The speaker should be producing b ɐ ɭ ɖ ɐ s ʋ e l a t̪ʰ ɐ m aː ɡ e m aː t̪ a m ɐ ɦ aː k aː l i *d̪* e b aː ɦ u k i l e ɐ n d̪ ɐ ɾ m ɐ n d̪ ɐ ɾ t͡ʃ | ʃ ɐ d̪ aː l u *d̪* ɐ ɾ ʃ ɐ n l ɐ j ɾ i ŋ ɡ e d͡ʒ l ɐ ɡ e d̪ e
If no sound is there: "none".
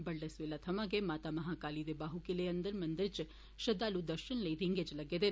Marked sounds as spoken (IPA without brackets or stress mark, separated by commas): d̪, d̪